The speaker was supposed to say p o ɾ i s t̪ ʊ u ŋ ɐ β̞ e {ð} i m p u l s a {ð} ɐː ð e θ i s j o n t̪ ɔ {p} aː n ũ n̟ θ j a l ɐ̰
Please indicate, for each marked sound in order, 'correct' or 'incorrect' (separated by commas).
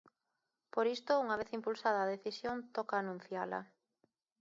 incorrect, correct, incorrect